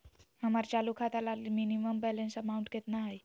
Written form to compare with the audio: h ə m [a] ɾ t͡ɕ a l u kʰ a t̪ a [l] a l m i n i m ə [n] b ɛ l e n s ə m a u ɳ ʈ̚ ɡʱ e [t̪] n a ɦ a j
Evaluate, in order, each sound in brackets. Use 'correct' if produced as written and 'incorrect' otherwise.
correct, correct, incorrect, correct

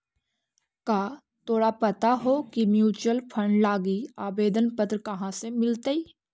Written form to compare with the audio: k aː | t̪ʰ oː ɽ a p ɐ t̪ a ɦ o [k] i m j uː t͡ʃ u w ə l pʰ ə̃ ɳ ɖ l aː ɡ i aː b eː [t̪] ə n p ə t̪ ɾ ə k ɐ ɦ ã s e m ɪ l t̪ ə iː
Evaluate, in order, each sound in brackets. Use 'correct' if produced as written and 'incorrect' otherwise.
correct, incorrect

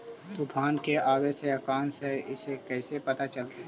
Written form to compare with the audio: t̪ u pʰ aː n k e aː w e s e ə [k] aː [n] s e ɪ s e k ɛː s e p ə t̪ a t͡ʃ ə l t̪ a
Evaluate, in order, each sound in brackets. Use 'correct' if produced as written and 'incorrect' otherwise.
correct, correct

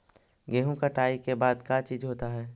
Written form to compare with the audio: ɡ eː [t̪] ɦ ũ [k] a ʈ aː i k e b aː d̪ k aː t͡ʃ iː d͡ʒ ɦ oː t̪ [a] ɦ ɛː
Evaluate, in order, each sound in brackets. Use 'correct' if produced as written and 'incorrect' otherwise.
incorrect, correct, correct

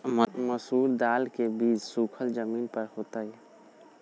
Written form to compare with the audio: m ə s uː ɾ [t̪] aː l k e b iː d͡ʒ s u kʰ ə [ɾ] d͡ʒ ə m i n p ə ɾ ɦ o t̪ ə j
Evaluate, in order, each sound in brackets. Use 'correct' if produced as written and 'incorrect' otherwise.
incorrect, incorrect

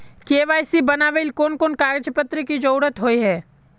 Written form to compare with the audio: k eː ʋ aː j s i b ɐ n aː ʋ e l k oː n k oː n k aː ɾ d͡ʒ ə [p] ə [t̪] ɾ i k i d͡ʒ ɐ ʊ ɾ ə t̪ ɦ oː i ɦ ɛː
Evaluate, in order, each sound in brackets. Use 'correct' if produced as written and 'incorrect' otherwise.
correct, correct

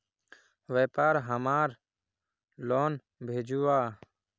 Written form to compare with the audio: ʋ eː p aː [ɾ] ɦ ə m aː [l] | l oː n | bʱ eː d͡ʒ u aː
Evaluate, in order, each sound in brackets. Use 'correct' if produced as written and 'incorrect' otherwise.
correct, incorrect

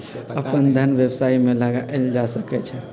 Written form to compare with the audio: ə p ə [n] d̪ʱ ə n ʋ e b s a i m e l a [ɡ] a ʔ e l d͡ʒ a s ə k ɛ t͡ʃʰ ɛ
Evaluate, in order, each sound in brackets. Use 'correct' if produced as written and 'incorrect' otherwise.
correct, correct

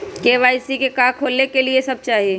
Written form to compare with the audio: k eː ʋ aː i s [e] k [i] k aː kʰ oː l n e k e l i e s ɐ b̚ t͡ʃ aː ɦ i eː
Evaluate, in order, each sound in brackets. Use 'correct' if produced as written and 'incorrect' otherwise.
incorrect, incorrect

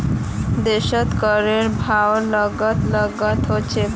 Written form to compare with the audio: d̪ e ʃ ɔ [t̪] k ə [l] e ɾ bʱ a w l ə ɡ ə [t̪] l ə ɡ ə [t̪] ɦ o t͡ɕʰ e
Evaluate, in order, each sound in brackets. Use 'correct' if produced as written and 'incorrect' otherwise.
correct, incorrect, correct, correct

